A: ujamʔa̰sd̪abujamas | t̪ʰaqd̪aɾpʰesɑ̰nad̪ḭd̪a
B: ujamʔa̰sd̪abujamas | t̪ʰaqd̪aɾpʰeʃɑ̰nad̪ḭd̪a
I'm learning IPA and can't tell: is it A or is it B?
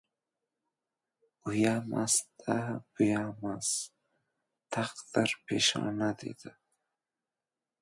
B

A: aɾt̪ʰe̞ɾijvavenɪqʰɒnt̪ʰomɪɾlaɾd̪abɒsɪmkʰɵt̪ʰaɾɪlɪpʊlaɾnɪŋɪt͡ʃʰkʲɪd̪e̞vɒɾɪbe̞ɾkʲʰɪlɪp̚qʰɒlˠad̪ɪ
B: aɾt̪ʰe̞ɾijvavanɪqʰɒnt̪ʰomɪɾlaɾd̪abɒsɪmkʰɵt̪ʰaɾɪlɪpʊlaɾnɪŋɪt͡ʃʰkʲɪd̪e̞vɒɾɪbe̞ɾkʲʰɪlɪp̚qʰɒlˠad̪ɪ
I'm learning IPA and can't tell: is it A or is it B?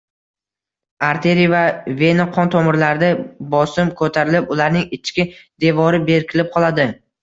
A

